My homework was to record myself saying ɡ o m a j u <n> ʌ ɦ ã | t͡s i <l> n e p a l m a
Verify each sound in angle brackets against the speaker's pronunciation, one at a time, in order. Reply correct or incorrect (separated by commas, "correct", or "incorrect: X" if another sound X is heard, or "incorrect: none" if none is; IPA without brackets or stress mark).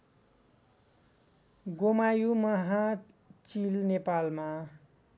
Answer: incorrect: m, correct